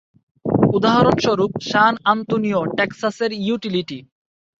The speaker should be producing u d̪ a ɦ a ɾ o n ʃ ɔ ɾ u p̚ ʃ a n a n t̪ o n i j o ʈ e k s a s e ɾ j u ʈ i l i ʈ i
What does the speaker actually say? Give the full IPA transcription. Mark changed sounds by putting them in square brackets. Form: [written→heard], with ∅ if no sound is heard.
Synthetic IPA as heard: u d̪ a ɦ a ɾ o n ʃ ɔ ɾ u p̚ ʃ a n a n t̪ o n i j o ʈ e k s a s e ɾ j u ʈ i l i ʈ i